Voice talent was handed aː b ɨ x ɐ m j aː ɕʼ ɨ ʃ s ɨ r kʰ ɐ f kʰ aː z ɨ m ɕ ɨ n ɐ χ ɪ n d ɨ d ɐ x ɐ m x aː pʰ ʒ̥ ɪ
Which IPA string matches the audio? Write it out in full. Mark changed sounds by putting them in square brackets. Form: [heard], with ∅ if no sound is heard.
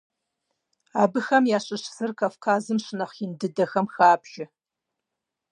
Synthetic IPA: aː b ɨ x ɐ m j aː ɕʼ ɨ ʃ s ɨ r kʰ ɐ f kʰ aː z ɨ m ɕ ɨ n ɐ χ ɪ n d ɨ d ɐ x ɐ m x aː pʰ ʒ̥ ɪ